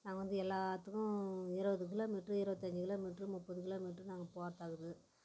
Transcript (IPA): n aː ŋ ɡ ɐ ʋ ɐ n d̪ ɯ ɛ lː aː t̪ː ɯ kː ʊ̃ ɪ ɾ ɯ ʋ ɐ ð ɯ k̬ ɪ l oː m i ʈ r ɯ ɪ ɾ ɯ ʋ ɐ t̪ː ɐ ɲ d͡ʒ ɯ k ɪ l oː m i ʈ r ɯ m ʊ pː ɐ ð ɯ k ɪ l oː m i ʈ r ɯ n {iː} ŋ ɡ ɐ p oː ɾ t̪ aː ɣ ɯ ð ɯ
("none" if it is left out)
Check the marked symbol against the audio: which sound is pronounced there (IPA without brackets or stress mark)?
aː